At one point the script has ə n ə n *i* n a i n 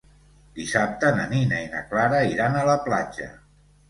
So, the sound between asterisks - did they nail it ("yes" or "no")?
yes